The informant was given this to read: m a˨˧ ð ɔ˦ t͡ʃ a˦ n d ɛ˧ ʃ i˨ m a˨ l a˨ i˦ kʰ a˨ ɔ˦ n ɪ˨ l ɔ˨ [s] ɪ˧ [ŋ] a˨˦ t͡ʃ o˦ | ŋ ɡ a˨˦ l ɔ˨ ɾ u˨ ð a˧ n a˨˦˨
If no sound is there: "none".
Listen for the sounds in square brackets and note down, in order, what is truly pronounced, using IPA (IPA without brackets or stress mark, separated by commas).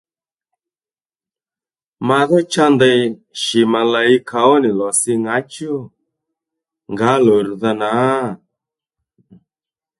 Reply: s, ŋ